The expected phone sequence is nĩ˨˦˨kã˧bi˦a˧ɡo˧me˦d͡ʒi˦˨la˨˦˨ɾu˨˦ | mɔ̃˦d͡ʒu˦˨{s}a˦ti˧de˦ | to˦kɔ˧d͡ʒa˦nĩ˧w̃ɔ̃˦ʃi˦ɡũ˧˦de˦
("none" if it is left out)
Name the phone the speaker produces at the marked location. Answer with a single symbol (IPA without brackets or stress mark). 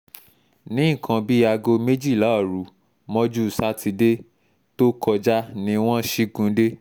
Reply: s